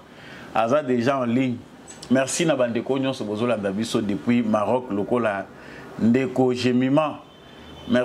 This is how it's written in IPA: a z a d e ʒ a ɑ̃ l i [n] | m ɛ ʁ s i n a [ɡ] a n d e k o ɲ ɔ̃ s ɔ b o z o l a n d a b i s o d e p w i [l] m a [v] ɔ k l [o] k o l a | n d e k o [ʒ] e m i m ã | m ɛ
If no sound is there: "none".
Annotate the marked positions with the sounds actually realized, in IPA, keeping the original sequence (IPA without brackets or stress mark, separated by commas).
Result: ɲ, b, none, ʁ, o, ʒ